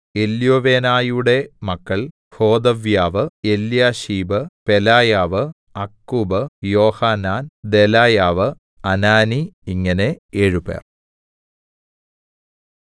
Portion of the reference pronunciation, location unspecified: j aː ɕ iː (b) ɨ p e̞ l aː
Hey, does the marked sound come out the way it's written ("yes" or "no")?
yes